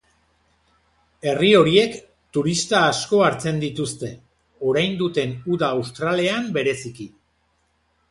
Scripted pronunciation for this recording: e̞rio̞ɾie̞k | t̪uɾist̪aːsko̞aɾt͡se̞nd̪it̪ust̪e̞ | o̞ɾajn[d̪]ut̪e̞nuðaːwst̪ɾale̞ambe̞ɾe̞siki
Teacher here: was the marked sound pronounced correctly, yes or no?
yes